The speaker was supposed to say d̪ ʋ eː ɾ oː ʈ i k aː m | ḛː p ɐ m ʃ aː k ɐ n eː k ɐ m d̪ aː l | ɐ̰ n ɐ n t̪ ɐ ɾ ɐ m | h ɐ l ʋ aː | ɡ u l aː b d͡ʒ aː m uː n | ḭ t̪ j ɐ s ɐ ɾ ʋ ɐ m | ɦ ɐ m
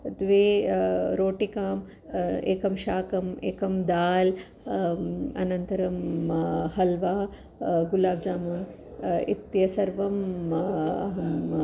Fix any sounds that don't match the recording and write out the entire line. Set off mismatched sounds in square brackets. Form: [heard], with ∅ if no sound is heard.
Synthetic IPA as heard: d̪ ʋ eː ɾ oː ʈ i k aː m | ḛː [k] ɐ m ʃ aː k ɐ [m] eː k ɐ m d̪ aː l | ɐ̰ n ɐ n t̪ ɐ ɾ ɐ m | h ɐ l ʋ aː | ɡ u l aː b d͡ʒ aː m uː n | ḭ t̪ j ɐ s ɐ ɾ ʋ ɐ m | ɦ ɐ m